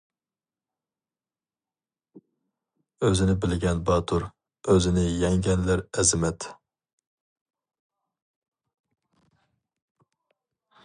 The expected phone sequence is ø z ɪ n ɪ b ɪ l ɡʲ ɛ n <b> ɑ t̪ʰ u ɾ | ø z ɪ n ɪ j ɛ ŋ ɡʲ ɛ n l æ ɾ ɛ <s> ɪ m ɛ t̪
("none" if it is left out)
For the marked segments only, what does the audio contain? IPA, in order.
b, z

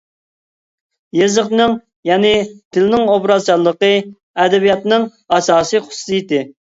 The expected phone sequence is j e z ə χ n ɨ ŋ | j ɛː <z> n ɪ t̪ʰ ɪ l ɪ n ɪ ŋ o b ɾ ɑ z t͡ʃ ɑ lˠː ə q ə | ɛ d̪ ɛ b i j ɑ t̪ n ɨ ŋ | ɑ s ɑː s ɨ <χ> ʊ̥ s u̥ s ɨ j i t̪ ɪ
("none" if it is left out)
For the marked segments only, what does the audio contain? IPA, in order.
none, χ

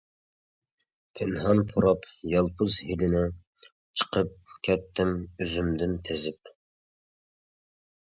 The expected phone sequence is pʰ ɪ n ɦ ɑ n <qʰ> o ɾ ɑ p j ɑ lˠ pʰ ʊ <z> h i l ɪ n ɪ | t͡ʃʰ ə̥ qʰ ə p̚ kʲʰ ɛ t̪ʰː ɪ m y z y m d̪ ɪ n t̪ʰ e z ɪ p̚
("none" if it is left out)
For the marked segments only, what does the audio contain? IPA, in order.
pʰ, z

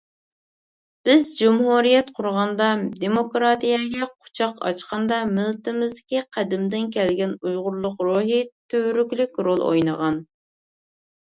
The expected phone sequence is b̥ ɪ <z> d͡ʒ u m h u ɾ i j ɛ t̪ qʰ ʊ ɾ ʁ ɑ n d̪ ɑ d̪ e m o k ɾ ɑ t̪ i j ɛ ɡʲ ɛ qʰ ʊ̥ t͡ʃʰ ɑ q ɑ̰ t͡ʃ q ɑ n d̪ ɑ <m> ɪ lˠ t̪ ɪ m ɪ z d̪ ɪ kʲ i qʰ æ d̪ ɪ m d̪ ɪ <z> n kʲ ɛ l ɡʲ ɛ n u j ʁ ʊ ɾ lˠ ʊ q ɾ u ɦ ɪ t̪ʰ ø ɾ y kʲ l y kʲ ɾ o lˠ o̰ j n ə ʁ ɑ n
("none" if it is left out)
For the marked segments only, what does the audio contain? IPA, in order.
z, m, none

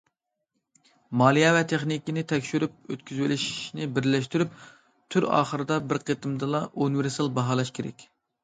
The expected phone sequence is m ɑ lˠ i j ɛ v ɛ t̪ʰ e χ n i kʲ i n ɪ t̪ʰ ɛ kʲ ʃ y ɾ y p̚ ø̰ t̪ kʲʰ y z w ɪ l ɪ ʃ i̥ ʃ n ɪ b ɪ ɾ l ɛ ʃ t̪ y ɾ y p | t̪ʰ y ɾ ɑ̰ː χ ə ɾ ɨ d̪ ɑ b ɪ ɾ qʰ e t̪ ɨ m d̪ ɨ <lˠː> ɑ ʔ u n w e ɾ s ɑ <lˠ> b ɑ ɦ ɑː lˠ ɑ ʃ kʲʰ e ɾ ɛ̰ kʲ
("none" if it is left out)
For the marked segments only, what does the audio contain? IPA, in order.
lˠ, lˠ

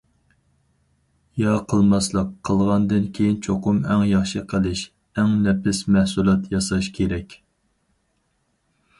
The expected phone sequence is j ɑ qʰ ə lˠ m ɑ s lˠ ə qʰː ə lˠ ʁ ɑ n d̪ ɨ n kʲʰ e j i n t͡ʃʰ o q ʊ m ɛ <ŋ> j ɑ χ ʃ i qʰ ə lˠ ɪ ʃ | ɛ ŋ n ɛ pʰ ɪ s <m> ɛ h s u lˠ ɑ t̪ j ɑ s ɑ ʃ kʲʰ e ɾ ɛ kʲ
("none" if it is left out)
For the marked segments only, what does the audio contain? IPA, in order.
ŋ, m

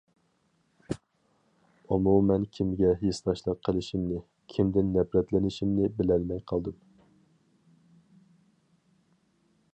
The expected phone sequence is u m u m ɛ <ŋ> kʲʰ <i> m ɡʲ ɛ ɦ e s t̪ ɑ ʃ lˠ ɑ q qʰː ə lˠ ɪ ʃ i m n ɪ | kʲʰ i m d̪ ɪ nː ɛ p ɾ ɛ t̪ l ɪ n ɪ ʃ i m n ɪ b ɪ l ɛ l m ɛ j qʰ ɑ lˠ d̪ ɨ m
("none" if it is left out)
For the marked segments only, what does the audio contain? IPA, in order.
n, i

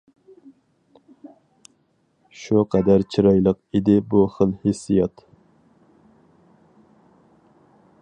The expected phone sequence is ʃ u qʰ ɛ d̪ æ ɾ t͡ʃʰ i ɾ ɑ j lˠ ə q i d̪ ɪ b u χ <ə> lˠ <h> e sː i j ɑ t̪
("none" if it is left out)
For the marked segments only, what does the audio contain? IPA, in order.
ə, h

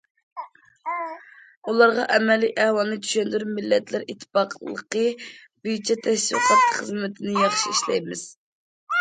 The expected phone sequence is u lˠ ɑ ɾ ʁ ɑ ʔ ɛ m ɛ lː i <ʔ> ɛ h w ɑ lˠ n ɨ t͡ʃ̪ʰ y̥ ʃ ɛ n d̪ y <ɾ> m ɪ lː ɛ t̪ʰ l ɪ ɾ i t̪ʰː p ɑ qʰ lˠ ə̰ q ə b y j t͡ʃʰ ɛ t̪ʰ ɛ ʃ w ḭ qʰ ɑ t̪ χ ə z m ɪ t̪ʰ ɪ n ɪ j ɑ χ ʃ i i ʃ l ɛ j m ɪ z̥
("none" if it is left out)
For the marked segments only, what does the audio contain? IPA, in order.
ʔ, ɾ

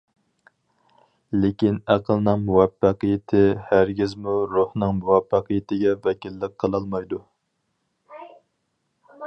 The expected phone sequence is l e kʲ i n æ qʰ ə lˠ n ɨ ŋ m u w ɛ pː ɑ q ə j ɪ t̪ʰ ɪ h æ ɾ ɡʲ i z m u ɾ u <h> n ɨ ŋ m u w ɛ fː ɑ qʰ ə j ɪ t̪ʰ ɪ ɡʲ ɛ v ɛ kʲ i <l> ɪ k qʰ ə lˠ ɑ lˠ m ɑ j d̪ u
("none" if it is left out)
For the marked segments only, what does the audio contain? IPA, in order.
h, lː

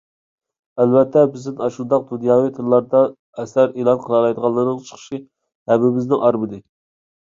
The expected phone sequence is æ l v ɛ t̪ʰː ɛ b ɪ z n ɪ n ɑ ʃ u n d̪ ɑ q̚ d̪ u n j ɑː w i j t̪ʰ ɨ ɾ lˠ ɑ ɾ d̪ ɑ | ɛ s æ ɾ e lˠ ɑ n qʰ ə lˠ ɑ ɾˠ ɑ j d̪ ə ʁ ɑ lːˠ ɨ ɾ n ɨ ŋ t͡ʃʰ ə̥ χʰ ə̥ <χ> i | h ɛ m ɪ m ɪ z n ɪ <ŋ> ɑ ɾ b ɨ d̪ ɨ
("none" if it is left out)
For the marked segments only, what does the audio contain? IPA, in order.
ʃ, ŋ

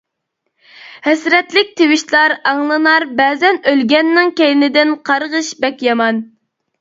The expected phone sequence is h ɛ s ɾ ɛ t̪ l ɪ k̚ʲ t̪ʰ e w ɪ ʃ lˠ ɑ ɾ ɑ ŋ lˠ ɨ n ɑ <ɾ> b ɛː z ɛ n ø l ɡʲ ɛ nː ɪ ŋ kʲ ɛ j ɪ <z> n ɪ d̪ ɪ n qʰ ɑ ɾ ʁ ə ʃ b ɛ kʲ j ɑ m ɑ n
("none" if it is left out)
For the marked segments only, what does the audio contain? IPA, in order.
ɾ, none

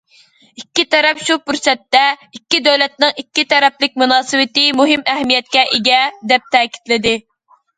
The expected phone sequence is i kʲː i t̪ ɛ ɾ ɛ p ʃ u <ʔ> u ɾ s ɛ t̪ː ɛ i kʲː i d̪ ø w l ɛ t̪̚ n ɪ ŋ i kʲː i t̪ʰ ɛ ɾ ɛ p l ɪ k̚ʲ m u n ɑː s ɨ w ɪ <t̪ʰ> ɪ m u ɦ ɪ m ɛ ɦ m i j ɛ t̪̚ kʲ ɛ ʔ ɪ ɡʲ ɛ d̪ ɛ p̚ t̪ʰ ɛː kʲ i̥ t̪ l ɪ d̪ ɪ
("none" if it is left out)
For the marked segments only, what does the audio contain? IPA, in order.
p, t̪

